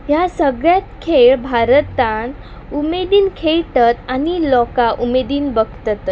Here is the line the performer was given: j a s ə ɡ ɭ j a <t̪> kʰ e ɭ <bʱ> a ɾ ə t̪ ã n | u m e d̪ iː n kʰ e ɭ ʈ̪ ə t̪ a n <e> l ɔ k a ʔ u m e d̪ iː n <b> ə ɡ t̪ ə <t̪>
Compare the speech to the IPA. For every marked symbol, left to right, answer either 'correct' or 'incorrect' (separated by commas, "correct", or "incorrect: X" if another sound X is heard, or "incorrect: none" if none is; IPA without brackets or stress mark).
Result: correct, correct, incorrect: i, correct, correct